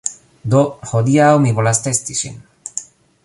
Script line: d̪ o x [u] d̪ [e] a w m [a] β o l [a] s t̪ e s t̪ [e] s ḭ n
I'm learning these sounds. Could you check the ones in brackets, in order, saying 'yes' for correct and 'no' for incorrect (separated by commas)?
no, no, no, yes, no